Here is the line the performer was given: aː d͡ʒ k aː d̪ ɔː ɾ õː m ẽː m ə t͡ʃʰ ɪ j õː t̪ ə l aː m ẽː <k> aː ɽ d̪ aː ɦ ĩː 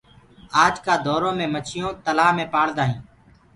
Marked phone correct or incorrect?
incorrect: p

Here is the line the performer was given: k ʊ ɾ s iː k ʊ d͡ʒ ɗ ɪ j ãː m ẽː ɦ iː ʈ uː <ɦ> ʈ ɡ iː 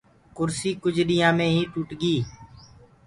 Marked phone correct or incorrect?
incorrect: none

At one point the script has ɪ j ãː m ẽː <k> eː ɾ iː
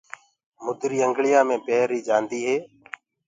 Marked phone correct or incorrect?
incorrect: p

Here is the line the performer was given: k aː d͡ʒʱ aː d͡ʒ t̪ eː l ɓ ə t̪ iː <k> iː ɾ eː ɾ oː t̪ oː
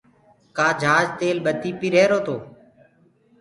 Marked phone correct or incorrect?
incorrect: p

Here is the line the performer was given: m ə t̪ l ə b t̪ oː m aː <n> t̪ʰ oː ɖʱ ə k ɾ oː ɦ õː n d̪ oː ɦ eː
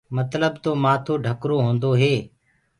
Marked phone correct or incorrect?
incorrect: none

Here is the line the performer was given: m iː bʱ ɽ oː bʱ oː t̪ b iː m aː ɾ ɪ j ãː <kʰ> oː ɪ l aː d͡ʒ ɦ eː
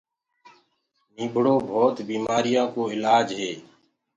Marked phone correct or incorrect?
incorrect: k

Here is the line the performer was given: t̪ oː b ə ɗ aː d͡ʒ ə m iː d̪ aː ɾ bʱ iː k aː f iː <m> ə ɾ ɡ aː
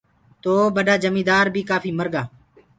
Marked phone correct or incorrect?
correct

